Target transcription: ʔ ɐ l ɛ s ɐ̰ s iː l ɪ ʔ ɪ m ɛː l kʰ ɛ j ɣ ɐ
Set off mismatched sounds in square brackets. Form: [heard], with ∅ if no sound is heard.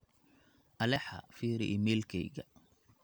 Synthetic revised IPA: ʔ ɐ l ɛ [ħ] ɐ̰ [f] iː [ɾ] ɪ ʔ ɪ m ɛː l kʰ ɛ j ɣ ɐ